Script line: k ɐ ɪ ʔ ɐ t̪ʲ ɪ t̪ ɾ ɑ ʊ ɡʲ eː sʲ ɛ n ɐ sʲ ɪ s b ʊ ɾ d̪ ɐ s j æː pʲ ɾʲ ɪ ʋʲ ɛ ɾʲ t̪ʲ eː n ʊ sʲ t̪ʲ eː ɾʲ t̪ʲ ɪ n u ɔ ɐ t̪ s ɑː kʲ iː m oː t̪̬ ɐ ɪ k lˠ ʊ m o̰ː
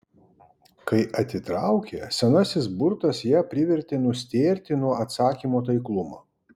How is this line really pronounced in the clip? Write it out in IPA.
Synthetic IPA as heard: k ɐ ɪ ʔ ɐ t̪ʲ ɪ t̪ ɾ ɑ ʊ kʲ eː sʲ ɛ n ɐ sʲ ɪ s b ʊ ɾ t̪ ɐ s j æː pʲ ɾʲ ɪ ʋʲ ɛ ɾʲ t̪ʲ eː n ʊ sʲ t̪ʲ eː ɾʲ t̪ʲ ɪ n u ɔ ɐ t̪ s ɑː kʲ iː m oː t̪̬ ɐ ɪ k lˠ ʊ m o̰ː